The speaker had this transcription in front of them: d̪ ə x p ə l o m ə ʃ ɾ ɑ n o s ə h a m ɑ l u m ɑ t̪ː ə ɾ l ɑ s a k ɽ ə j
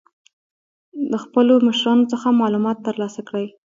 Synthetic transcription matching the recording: d̪ ə x p ə l o m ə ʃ ɾ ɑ n o t͡s ə x a m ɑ l u m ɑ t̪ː ə ɾ l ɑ s a k ɽ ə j